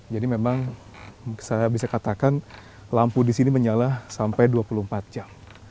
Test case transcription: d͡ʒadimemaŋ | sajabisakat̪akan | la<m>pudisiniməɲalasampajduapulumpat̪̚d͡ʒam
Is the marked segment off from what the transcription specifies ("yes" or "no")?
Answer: no